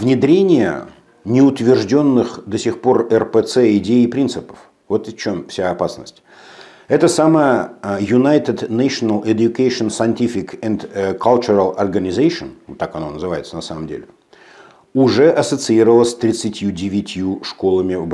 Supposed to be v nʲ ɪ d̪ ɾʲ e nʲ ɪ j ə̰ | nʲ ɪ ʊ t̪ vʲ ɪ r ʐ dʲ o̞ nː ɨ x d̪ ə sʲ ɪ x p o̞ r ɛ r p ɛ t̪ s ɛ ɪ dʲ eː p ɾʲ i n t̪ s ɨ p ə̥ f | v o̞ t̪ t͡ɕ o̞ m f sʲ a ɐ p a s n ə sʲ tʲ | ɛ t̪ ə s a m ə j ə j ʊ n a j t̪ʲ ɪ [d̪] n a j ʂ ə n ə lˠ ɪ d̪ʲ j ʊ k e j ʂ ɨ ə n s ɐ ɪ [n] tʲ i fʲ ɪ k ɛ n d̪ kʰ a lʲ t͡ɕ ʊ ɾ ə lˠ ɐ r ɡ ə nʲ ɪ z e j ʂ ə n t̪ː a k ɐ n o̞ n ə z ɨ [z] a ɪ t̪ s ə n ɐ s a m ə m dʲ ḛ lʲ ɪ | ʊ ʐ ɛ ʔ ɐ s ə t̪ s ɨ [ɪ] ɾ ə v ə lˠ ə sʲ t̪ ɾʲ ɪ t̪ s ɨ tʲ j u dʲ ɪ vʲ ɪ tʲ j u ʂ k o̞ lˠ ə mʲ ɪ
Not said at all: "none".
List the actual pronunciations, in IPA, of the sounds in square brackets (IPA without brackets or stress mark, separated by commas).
d̪, n, v, i